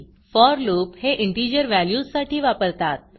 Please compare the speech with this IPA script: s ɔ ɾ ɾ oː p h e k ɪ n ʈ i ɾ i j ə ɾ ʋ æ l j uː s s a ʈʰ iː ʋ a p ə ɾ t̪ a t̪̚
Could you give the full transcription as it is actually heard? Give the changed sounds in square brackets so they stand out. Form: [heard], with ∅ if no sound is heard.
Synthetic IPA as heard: [f] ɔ ɾ [l] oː p h e [ʔ] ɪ [ɳ] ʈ i ɾ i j ə ɾ ʋ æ l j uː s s a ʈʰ iː ʋ a p ə ɾ t̪ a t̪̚